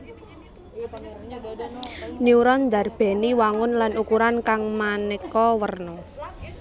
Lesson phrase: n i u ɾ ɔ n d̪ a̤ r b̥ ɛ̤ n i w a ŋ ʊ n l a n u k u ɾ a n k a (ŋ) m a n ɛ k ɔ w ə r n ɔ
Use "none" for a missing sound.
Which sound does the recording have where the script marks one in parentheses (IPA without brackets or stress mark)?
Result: ŋ